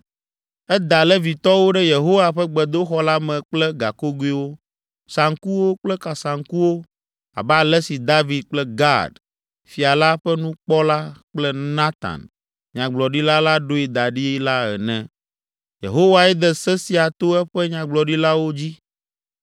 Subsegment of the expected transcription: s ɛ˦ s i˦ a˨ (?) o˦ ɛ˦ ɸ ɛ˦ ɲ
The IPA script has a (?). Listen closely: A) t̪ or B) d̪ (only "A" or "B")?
A